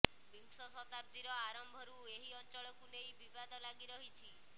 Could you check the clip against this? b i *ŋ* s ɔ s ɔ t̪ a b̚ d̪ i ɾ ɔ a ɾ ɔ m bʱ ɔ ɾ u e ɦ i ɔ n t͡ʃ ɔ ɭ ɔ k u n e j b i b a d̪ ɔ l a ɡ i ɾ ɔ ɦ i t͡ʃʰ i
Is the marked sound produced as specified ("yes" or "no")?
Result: yes